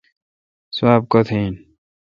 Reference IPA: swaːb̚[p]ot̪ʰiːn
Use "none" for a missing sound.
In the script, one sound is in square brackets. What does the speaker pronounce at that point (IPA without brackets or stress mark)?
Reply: k